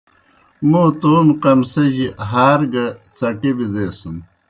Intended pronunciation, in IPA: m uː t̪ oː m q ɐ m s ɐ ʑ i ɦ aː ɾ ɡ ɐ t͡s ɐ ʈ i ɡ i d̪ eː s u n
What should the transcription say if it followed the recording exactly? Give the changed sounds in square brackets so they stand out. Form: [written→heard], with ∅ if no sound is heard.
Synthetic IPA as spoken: m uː t̪ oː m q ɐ m s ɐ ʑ i ɦ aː ɾ ɡ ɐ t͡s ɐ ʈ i [ɡ→b] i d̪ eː s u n